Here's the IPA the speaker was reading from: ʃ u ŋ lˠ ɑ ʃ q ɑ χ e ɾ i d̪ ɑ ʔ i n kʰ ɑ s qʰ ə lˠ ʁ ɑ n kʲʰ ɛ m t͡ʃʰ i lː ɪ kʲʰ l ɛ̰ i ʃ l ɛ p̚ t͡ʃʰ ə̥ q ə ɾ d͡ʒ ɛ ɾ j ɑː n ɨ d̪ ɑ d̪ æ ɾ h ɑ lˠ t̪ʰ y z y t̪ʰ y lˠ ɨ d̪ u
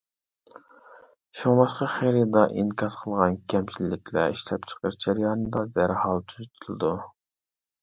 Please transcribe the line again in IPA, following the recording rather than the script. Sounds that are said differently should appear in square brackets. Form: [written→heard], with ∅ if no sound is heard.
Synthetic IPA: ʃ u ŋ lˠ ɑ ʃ q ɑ χ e ɾ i d̪ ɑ ʔ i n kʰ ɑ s qʰ ə lˠ ʁ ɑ n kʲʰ ɛ m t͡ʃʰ i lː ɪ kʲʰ l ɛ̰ i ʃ l ɛ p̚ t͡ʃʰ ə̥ q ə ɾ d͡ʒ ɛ ɾ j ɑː n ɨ d̪ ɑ d̪ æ ɾ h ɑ lˠ t̪ʰ y z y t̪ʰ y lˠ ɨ d̪ u